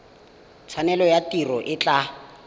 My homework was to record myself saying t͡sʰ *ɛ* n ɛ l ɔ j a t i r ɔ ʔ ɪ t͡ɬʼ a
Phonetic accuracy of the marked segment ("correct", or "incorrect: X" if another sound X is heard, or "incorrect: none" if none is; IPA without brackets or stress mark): incorrect: a